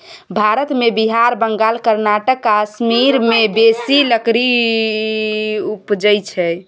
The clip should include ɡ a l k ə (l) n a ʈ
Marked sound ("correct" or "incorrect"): incorrect